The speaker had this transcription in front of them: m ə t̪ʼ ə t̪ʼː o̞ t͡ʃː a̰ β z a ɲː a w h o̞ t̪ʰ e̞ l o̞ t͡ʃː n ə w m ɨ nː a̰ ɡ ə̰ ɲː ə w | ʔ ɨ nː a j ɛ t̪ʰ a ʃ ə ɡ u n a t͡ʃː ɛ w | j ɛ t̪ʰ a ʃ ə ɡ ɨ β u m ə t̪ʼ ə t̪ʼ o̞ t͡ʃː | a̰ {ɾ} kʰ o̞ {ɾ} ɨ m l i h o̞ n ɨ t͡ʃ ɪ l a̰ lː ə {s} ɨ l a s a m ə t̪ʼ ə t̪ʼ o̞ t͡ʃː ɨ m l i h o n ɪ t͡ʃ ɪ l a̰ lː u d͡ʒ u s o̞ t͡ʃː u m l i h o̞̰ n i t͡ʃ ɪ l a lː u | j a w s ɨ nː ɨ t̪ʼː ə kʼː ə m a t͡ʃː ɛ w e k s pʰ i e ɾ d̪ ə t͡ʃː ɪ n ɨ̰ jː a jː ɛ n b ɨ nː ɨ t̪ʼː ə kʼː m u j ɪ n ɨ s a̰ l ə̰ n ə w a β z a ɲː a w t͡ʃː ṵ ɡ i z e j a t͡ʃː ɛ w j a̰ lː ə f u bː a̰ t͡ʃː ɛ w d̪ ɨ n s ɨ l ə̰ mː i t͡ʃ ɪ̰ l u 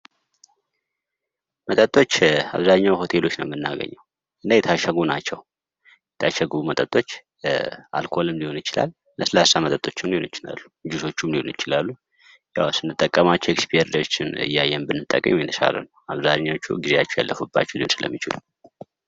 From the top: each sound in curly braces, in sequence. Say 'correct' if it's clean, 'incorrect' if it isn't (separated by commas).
incorrect, incorrect, correct